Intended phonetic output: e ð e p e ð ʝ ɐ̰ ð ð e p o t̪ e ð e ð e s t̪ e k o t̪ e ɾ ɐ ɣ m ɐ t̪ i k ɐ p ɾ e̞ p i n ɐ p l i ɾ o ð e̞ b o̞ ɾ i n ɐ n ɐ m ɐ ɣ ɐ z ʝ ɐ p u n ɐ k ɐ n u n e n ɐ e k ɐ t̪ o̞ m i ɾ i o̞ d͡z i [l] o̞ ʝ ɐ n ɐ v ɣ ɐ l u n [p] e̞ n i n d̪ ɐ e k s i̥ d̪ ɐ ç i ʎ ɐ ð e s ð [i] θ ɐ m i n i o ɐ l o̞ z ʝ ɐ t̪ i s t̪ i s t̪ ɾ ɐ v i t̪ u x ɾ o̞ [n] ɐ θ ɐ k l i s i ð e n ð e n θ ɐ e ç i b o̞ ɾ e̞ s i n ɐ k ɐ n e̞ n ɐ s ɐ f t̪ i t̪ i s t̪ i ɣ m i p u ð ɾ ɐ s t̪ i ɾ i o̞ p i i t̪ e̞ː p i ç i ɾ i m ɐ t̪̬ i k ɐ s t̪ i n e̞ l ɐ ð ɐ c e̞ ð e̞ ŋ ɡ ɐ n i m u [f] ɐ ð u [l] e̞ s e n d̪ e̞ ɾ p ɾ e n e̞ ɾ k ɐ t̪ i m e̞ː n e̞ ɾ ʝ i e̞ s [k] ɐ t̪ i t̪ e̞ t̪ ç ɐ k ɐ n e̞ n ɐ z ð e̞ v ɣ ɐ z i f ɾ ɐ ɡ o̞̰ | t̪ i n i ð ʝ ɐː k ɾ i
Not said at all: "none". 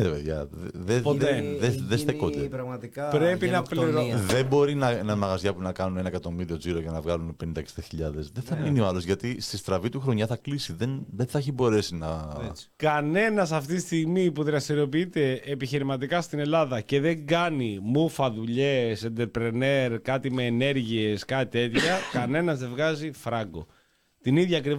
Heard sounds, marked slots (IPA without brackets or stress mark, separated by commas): ɾ, p, e, ɲ, f, ʎ, k